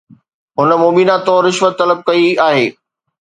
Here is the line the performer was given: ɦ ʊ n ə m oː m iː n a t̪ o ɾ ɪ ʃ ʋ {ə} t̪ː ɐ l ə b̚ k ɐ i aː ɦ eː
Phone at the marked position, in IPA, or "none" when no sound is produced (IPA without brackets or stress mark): ə